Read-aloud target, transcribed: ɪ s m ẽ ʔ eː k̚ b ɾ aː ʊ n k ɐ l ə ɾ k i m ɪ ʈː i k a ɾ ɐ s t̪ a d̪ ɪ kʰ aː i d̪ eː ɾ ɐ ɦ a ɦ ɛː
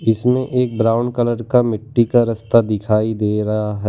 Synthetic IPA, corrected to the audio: ɪ s m ẽ ʔ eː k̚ b ɾ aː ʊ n k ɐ l ə ɾ k a m ɪ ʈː i k a ɾ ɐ s t̪ a d̪ ɪ kʰ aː i d̪ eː ɾ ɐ ɦ a ɦ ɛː